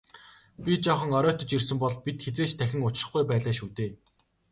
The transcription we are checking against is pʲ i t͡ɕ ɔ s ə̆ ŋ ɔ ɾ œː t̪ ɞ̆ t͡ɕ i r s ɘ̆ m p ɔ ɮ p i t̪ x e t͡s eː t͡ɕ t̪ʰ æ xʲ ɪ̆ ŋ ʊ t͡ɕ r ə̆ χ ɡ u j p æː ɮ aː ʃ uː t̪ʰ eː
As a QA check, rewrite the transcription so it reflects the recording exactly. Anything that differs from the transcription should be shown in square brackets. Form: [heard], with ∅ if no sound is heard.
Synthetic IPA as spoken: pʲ i t͡ɕ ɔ [χ] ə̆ ŋ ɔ ɾ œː t̪ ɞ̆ t͡ɕ i r s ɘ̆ m p ɔ ɮ p i t̪ x e t͡s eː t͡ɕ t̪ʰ æ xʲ ɪ̆ ŋ ʊ t͡ɕ r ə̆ χ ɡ u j p æː ɮ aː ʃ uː [t̪] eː